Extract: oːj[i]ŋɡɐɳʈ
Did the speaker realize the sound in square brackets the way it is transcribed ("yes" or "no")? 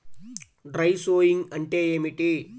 yes